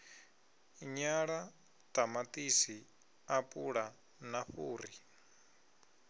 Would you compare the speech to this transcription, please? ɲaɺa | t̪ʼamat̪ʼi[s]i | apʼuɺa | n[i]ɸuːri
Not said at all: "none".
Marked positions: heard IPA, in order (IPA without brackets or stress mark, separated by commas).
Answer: s, a